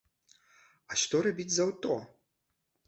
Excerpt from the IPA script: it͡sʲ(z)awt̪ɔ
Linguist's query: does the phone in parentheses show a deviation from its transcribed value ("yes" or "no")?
no